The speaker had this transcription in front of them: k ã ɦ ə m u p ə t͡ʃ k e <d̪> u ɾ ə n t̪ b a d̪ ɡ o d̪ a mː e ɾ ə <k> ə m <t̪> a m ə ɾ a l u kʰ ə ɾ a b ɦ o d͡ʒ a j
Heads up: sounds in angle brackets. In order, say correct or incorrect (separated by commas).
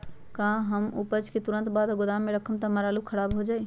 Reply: incorrect, incorrect, correct